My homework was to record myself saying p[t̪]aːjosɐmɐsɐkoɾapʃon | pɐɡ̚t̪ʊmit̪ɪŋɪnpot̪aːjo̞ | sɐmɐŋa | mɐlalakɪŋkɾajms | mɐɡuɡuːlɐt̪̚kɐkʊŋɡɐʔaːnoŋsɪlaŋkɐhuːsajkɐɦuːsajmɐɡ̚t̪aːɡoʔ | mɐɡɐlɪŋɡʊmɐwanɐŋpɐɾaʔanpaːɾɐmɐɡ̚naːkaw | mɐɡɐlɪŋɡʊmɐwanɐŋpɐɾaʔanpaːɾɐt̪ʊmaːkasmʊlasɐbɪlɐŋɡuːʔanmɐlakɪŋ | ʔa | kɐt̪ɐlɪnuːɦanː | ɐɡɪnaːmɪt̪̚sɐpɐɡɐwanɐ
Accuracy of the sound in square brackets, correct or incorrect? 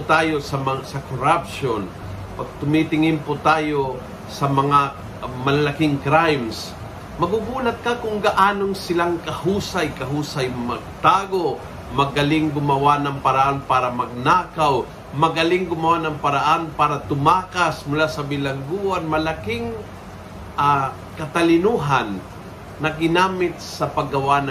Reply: correct